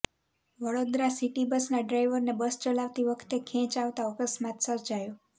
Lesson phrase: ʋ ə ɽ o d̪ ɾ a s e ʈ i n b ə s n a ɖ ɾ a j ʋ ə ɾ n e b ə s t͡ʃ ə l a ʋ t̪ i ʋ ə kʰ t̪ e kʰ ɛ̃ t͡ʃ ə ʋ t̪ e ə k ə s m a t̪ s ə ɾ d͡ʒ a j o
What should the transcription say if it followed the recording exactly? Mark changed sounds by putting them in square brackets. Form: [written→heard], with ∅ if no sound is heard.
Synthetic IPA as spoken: ʋ ə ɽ o d̪ ɾ a s [e→i] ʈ i [n→∅] b ə s n a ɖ ɾ a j ʋ ə ɾ n e b ə s t͡ʃ ə l a ʋ t̪ i ʋ ə kʰ t̪ e kʰ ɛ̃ t͡ʃ [ə→a] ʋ t̪ [e→a] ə k ə s m a t̪ s ə ɾ d͡ʒ a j o